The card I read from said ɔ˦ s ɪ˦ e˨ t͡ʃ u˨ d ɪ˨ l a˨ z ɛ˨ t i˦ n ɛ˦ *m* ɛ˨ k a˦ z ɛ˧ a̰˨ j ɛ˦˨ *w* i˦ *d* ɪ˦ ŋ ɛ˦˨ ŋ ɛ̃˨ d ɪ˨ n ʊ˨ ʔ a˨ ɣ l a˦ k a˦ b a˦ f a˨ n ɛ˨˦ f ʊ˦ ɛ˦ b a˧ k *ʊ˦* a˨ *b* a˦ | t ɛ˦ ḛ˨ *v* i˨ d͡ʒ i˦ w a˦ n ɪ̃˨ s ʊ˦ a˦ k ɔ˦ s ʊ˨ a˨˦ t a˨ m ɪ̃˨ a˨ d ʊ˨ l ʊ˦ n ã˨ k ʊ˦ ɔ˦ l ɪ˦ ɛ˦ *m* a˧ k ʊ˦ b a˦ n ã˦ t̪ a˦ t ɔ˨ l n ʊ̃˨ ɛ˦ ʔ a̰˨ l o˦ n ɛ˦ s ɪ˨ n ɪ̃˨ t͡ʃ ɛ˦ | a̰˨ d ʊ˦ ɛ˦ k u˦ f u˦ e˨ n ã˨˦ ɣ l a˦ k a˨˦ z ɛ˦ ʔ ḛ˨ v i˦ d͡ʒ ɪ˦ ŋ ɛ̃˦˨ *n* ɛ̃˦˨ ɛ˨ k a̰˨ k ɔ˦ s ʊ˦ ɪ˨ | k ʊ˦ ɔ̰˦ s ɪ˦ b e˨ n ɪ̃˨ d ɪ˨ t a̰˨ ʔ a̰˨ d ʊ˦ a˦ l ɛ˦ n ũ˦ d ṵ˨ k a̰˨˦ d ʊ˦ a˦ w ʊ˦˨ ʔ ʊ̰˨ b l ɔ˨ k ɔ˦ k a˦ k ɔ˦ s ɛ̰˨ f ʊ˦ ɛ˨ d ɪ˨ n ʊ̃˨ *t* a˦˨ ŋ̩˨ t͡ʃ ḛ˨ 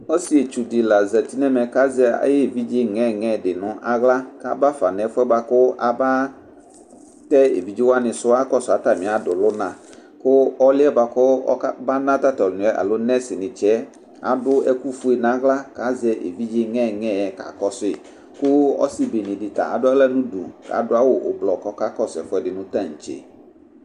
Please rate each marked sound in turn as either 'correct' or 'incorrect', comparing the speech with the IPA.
correct, incorrect: v, incorrect: d͡ʒ, correct, correct, correct, incorrect: b, incorrect: ŋ, correct

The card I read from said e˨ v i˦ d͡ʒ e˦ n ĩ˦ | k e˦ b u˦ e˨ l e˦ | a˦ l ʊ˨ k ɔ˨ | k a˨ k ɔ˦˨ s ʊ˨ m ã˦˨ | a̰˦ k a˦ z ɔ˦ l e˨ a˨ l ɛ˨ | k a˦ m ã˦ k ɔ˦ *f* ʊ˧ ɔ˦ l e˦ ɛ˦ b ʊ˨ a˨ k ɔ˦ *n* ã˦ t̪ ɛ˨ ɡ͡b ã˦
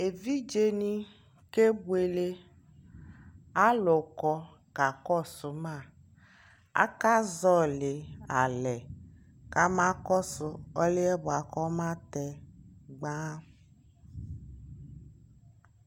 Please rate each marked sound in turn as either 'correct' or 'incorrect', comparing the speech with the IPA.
incorrect: s, incorrect: m

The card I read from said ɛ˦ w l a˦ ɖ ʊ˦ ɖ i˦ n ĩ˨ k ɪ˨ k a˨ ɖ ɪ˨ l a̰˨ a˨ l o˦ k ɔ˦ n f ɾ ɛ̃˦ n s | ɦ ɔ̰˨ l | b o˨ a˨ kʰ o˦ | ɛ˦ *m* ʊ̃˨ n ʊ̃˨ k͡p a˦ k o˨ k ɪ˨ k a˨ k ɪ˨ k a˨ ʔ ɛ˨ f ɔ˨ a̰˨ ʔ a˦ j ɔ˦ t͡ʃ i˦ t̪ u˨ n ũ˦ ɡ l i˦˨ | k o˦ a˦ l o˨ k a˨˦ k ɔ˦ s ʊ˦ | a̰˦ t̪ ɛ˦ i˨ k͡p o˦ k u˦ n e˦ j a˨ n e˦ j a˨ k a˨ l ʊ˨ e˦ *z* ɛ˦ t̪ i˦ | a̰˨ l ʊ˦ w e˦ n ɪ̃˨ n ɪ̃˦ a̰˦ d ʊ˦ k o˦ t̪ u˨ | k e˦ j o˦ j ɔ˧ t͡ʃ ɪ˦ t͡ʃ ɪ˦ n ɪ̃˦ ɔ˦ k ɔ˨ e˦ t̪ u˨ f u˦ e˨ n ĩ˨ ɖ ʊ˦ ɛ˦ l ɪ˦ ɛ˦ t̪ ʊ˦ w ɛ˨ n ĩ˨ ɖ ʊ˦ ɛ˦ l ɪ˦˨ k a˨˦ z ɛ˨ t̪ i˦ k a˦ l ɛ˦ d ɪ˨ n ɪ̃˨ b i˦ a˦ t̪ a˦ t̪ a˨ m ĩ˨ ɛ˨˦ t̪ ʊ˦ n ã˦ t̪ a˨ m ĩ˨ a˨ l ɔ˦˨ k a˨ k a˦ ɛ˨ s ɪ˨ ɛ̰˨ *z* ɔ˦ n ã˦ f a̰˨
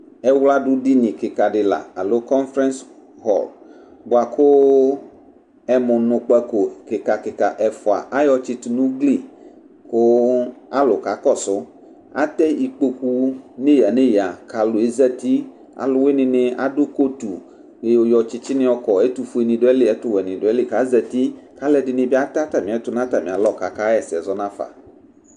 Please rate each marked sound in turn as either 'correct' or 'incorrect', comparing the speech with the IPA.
correct, correct, correct

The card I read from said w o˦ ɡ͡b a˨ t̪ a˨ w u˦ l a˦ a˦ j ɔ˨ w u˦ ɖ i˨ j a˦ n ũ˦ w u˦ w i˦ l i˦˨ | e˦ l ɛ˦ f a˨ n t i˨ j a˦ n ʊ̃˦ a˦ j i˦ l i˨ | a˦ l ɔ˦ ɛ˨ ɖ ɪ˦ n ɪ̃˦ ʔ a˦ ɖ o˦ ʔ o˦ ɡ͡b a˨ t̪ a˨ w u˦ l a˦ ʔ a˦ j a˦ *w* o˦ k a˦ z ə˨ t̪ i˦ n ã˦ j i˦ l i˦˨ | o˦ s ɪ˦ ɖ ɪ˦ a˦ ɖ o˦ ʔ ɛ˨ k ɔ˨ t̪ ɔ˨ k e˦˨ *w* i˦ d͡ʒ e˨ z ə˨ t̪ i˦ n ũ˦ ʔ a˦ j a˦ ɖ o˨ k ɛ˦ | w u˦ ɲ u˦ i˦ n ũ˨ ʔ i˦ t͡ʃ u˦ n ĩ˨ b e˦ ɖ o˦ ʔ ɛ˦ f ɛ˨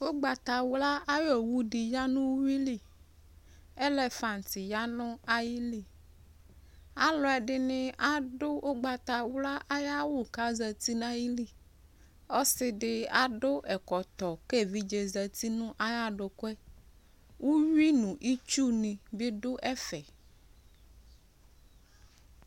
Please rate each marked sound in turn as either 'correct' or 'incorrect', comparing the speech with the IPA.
correct, incorrect: v

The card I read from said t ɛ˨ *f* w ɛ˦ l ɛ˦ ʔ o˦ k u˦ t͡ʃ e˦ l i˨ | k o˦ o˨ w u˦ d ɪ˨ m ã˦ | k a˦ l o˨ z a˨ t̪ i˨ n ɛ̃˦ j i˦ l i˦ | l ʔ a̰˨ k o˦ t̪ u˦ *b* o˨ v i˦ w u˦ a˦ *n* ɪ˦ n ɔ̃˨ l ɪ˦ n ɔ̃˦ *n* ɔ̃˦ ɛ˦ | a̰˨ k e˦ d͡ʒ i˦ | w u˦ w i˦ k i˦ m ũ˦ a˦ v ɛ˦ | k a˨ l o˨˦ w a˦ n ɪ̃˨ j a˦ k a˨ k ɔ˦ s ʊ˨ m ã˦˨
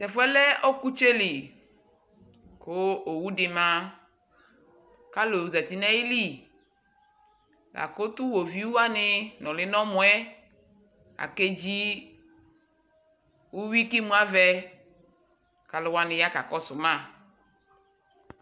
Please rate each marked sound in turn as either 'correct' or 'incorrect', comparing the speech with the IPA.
correct, incorrect: w, correct, incorrect: m

